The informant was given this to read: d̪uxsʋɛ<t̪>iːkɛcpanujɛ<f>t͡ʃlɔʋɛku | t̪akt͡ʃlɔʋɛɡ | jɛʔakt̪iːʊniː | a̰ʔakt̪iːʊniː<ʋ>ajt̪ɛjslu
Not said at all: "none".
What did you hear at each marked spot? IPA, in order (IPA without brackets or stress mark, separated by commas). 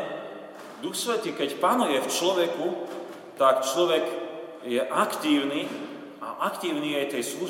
t̪, f, none